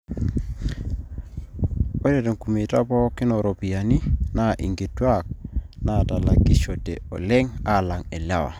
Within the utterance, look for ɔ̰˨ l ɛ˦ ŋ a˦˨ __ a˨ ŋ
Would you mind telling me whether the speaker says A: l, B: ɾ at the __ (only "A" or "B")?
A